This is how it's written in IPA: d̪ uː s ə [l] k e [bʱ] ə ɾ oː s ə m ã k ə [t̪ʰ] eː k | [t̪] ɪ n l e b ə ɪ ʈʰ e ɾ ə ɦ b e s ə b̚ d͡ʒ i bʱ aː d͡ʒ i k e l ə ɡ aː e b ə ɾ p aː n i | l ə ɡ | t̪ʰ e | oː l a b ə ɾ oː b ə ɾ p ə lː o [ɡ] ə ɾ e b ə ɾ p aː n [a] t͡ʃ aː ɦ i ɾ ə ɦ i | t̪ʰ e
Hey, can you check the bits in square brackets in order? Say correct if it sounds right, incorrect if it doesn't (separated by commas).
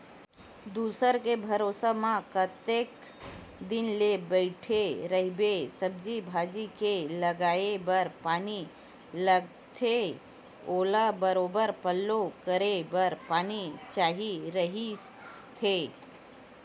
incorrect, correct, incorrect, incorrect, incorrect, incorrect